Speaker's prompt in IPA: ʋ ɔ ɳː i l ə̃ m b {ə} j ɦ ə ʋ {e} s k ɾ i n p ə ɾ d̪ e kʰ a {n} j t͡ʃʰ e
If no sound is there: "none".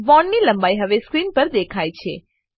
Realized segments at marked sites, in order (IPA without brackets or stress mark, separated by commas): a, e, none